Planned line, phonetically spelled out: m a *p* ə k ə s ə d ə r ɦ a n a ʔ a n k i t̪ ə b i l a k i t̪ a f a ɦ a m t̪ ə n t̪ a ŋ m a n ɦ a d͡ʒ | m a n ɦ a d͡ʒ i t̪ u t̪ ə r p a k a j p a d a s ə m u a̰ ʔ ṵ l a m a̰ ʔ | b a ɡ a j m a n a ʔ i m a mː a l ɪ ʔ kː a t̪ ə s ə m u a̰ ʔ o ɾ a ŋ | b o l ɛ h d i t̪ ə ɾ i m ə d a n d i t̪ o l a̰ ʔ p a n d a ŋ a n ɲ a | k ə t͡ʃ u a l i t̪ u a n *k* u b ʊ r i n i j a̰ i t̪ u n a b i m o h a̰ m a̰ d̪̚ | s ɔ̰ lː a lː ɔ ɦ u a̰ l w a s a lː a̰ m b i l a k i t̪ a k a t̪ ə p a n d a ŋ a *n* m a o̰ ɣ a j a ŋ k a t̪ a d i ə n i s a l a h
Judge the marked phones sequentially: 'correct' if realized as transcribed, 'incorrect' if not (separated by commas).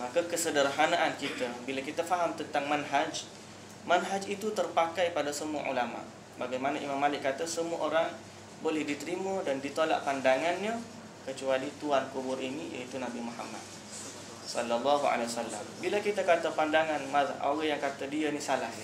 incorrect, correct, correct